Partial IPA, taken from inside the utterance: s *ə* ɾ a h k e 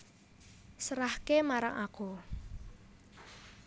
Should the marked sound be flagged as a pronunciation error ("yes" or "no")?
no